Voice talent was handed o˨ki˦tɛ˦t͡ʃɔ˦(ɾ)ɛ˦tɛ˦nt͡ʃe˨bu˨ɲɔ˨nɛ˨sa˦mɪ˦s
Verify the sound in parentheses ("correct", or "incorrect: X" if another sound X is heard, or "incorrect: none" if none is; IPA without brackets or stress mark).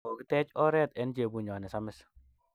correct